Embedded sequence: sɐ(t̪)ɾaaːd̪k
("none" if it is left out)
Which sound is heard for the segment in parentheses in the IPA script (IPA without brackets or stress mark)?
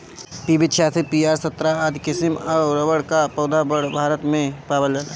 t̪